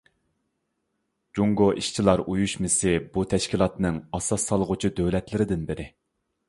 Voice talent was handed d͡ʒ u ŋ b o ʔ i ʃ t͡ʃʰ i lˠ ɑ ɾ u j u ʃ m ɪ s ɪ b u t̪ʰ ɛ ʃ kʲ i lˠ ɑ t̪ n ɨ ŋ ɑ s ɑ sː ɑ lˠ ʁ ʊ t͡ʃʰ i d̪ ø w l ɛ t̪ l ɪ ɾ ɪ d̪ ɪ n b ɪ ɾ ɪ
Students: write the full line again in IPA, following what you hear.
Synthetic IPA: d͡ʒ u ŋ ɡ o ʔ i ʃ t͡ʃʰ i lˠ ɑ ɾ u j u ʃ m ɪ s ɪ b u t̪ʰ ɛ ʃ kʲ i lˠ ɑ t̪ n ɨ ŋ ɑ s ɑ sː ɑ lˠ ʁ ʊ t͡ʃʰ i d̪ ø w l ɛ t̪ l ɪ ɾ ɪ d̪ ɪ n b ɪ ɾ ɪ